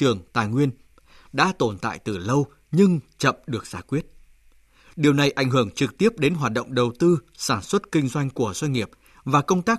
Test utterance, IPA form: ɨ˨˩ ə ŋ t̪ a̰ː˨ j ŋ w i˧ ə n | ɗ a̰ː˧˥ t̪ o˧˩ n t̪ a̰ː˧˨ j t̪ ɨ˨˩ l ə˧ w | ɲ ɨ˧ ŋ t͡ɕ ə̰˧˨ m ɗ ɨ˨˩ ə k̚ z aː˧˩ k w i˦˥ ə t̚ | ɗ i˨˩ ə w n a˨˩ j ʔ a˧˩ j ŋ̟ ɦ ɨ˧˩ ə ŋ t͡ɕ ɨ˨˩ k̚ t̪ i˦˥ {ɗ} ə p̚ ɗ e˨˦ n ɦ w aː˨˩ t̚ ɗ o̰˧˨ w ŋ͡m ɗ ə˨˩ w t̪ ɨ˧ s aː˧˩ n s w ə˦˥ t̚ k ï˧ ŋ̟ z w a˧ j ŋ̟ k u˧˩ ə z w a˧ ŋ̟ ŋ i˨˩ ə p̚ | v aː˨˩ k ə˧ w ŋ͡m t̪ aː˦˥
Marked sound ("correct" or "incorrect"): incorrect